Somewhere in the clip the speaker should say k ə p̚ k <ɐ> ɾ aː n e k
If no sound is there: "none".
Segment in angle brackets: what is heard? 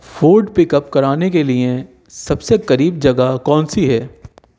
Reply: ɐ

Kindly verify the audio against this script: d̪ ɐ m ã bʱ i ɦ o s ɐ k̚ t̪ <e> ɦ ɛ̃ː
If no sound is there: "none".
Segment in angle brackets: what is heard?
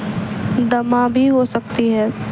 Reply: i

